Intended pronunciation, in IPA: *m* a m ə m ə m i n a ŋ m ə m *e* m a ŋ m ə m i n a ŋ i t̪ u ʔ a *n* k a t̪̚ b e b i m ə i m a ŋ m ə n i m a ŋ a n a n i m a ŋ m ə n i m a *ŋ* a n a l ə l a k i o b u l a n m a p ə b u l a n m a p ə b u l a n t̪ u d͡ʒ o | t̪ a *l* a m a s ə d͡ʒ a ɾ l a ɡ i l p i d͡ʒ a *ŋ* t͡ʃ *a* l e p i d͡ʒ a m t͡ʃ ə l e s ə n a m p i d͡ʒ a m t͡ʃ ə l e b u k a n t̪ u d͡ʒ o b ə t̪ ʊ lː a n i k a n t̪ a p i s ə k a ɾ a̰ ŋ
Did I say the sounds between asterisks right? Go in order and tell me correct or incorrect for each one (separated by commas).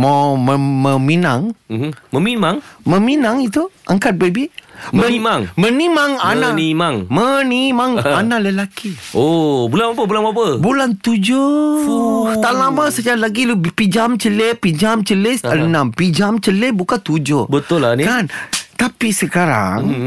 correct, incorrect, incorrect, correct, correct, incorrect, incorrect